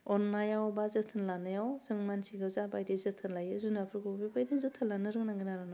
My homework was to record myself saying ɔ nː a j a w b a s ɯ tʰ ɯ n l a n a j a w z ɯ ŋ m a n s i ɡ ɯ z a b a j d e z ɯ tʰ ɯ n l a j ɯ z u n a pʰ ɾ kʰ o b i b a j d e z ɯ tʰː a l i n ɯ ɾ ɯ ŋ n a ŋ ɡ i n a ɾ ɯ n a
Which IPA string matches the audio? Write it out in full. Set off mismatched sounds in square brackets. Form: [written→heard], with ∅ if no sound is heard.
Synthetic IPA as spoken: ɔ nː a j a w b a [s→z] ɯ tʰ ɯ n l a n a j a w z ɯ ŋ m a n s i ɡ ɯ z a b a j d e z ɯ tʰ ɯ n l a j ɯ z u n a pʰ ɾ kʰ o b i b a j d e z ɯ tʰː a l [i→a] n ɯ ɾ ɯ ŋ n a ŋ ɡ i n a ɾ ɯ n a